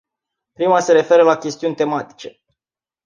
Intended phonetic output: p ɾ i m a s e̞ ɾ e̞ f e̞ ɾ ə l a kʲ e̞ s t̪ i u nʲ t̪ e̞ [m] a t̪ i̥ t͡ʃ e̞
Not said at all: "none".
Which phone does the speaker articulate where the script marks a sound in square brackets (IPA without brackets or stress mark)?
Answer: m